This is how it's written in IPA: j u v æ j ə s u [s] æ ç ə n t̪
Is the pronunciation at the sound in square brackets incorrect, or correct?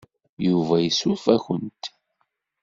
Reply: incorrect